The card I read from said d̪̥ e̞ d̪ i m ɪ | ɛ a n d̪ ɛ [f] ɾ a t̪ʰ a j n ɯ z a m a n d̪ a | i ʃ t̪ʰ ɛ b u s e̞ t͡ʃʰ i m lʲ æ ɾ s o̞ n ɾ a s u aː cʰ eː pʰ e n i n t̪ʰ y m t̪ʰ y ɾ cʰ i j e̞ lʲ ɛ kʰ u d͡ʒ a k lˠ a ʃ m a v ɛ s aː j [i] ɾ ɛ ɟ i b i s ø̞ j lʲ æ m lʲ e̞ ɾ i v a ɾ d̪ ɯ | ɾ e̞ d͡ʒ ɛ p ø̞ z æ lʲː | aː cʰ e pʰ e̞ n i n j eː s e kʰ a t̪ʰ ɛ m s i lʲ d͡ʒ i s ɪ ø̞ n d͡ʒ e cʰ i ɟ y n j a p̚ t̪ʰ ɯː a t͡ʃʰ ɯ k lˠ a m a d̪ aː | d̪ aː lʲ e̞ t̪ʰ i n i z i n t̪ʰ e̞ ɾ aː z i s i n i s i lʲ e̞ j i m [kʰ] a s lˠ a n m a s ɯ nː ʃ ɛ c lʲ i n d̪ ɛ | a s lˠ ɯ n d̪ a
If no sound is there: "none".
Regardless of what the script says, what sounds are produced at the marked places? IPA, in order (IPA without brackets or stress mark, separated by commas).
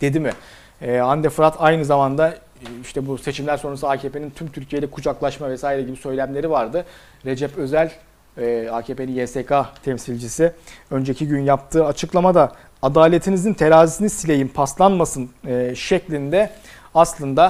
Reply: f, i, pʰ